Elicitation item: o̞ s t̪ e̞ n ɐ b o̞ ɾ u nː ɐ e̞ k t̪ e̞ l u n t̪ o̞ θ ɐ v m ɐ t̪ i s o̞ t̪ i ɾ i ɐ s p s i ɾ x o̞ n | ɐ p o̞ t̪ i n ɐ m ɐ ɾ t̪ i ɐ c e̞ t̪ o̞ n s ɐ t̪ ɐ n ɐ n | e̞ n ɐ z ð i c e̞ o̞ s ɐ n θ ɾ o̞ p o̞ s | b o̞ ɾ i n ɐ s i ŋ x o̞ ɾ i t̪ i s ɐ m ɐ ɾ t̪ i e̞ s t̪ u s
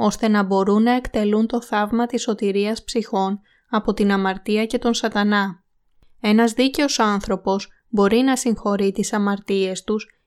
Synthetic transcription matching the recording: o̞ s t̪ e̞ n ɐ b o̞ ɾ u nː ɐ e̞ k t̪ e̞ l u n t̪ o̞ θ ɐ v m ɐ t̪ i s o̞ t̪ i ɾ i ɐ s p s i x o̞ n | ɐ p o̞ t̪ i n ɐ m ɐ ɾ t̪ i ɐ c e̞ t̪ o̞ n s ɐ t̪ ɐ n ɐ | e̞ n ɐ z ð i c e̞ o̞ s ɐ n θ ɾ o̞ p o̞ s | b o̞ ɾ i n ɐ s i ŋ x o̞ ɾ i t̪ i s ɐ m ɐ ɾ t̪ i e̞ s t̪ u s